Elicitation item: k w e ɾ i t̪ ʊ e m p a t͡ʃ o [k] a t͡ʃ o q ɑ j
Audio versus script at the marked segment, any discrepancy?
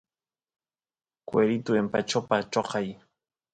yes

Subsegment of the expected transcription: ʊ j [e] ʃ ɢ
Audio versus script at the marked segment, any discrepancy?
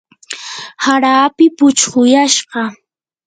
yes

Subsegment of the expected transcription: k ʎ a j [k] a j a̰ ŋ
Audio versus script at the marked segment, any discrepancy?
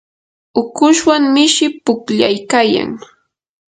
no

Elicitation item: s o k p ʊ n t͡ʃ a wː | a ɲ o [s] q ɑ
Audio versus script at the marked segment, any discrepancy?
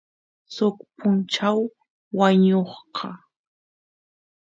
yes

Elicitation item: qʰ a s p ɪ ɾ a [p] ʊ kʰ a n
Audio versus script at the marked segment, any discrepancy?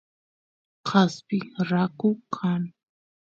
yes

